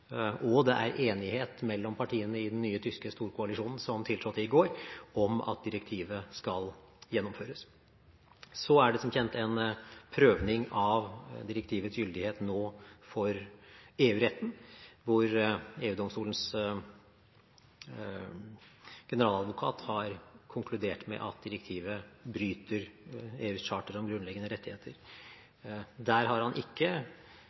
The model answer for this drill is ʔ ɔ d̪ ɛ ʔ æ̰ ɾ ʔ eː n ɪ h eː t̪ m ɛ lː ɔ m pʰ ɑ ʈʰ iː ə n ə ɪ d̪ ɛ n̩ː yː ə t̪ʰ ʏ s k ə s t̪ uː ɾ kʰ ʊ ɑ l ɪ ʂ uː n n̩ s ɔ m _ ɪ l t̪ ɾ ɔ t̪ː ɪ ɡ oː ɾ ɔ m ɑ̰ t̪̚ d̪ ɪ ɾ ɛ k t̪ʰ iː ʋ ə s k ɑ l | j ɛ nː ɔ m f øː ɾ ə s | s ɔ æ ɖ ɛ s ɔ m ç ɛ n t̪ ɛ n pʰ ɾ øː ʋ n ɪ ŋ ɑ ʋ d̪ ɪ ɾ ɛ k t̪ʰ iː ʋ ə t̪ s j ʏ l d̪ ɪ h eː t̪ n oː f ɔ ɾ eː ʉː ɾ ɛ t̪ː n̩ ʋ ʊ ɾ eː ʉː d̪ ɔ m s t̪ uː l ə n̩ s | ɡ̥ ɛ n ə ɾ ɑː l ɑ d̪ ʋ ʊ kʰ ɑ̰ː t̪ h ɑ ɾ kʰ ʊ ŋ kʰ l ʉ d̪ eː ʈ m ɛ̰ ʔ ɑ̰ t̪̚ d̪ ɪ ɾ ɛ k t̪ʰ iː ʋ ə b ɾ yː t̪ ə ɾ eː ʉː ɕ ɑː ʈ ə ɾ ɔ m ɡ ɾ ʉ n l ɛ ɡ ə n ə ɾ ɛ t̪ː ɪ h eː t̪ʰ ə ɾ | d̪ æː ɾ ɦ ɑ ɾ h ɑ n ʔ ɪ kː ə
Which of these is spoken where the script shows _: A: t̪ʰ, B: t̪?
A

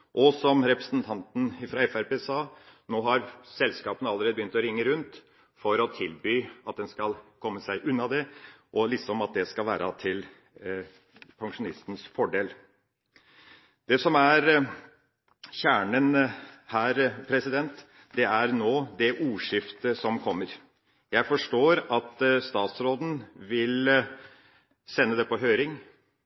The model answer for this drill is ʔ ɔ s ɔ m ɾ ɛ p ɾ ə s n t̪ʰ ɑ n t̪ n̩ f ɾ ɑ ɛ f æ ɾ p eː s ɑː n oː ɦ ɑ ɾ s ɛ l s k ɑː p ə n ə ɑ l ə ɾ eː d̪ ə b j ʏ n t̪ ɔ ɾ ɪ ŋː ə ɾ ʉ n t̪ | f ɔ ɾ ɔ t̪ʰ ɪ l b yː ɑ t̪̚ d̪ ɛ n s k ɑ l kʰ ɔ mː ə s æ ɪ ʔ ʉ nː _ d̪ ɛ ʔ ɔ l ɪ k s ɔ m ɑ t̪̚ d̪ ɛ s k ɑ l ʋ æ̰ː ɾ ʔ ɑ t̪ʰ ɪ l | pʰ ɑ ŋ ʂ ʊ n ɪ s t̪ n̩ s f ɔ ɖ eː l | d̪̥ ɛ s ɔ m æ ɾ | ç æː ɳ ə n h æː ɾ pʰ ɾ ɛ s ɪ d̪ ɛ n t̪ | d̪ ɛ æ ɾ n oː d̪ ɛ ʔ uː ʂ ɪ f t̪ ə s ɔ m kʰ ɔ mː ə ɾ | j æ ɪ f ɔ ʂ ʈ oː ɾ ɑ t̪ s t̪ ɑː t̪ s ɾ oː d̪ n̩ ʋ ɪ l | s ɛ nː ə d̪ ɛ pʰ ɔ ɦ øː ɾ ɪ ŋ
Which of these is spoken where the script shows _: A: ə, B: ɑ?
B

